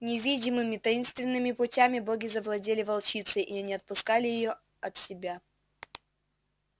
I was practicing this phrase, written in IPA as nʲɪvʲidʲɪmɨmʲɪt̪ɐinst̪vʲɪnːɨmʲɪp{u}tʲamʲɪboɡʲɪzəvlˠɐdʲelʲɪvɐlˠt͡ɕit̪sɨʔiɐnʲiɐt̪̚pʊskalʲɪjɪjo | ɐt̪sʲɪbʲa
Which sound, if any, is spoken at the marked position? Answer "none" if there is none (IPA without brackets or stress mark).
ʊ